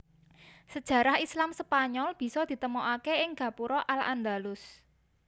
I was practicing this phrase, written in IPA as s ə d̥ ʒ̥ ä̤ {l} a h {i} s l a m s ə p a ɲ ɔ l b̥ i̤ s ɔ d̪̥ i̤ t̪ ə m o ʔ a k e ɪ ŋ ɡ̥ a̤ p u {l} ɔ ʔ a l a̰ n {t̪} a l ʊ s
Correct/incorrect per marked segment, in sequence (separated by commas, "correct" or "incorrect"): incorrect, correct, incorrect, incorrect